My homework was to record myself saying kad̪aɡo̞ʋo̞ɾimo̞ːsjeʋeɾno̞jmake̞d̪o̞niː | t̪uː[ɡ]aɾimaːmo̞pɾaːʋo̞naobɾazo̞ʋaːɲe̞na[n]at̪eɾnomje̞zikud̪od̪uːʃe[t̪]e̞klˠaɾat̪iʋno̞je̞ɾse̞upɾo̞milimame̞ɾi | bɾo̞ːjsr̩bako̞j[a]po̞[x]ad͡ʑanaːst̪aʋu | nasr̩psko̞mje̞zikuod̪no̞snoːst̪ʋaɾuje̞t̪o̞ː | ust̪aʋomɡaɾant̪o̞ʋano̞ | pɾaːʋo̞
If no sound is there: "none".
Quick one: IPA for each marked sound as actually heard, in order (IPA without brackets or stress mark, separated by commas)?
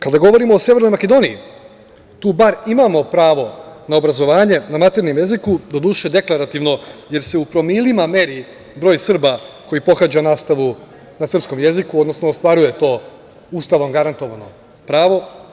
b, m, d̪, i, x